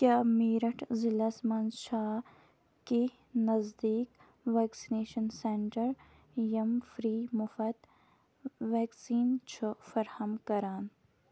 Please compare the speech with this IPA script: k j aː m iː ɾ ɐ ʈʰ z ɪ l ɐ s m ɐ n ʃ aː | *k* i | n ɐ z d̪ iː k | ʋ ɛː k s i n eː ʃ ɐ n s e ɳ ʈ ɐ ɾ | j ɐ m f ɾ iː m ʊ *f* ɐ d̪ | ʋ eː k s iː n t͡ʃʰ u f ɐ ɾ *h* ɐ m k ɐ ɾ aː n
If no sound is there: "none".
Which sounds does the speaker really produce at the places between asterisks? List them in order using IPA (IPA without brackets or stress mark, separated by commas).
k, f, h